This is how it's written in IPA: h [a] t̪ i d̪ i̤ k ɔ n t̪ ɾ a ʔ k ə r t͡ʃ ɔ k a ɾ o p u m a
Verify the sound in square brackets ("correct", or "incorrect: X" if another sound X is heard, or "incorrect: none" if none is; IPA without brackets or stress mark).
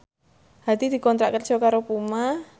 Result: correct